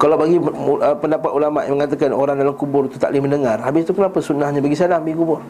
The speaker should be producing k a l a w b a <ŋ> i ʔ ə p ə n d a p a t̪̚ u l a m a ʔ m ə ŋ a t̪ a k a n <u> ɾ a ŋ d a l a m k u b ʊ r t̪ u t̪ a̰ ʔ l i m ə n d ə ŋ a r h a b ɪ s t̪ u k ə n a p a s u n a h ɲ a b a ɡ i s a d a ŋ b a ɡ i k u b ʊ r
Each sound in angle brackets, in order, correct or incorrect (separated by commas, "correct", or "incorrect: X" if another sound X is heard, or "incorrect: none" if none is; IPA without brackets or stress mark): incorrect: ɡ, incorrect: o